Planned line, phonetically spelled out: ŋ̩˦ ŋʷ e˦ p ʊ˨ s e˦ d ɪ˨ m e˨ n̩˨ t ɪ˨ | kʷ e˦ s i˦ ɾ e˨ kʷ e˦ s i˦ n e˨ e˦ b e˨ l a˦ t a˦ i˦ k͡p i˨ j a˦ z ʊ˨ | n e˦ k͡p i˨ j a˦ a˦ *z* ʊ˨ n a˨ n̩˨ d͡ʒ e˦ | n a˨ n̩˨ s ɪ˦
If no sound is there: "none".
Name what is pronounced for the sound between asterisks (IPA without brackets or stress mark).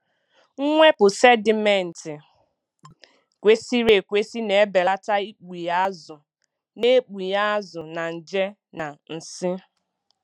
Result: z